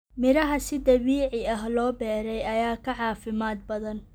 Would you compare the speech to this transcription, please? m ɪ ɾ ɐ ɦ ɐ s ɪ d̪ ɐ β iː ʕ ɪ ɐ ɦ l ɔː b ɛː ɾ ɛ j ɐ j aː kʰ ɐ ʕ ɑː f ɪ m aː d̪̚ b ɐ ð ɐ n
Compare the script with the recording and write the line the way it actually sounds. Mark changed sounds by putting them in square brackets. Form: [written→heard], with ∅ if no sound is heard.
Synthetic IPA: m ɪ ɾ ɐ ɦ ɐ s ɪ d̪ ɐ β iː ʕ ɪ ɐ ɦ l ɔː b ɛː ɾ ɛ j ɐ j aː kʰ ɐ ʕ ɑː f ɪ m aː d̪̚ b ɐ ð ɐ n